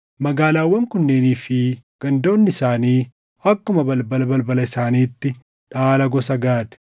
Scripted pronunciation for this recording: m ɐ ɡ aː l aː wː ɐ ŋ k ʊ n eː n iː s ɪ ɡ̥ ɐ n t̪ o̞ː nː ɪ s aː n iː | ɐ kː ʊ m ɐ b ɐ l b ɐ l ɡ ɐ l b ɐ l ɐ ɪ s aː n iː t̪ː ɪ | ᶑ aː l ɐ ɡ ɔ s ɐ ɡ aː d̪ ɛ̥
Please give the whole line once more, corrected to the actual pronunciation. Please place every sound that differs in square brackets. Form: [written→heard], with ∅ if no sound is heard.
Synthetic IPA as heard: m ɐ ɡ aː l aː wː ɐ ŋ k ʊ [n→nː] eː n iː [s→f] ɪ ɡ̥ ɐ n [t̪→d̪] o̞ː nː ɪ s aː n iː | ɐ kː ʊ m ɐ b ɐ l b ɐ l [ɡ→b] ɐ l b ɐ l ɐ ɪ s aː n iː t̪ː ɪ | ᶑ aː l ɐ ɡ ɔ s ɐ ɡ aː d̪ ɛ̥